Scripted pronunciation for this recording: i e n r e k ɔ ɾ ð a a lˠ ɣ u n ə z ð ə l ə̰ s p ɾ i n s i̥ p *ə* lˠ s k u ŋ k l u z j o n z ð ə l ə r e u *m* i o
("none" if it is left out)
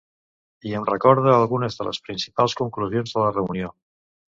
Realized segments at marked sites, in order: a, n

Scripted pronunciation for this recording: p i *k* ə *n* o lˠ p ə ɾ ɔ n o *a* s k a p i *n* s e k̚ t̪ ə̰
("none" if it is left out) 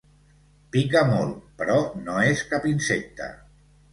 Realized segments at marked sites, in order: k, m, e, n

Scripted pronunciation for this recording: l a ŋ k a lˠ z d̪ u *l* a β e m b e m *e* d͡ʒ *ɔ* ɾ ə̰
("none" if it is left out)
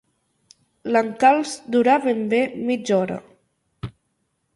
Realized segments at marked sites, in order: ɾ, i, ɔ

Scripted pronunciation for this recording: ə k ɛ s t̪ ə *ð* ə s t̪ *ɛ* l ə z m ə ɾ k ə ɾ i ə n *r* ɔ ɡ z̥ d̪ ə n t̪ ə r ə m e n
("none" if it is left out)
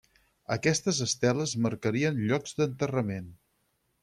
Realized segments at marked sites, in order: z, ɛ, ʎ

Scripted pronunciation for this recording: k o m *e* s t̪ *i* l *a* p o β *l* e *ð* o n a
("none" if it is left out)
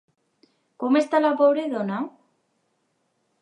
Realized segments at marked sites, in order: e, a, a, ɾ, ð

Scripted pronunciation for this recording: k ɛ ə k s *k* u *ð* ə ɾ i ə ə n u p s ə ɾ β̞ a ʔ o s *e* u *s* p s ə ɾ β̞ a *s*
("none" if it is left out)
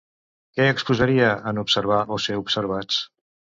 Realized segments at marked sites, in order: p, z, e, none, t͡s

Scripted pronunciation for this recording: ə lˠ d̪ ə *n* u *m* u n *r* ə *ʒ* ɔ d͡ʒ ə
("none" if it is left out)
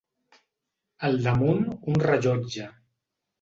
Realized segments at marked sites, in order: m, n, r, ʒ

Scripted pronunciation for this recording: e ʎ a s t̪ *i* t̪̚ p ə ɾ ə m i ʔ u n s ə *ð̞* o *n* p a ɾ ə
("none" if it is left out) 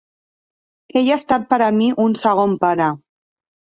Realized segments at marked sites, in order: a, ɣ̞, m

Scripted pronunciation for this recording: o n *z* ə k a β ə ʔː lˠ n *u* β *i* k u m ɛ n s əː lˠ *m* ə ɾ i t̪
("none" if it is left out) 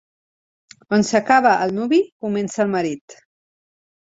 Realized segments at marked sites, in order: s, u, i, m

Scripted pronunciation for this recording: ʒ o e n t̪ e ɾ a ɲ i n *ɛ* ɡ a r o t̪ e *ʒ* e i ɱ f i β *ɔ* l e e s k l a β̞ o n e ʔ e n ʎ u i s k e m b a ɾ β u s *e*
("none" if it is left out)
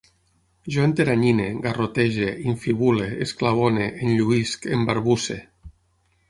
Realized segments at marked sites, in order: e, ʒ, u, e

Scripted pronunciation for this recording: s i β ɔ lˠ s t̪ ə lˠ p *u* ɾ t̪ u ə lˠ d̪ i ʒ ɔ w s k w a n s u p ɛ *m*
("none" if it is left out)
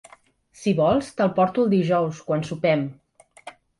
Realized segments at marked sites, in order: ɔ, m

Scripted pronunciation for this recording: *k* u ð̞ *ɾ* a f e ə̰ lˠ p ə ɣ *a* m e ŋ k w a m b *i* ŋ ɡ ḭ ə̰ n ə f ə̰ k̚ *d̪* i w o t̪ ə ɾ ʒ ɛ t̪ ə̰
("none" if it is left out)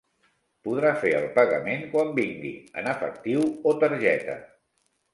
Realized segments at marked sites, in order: p, ɾ, ə, i, t̪

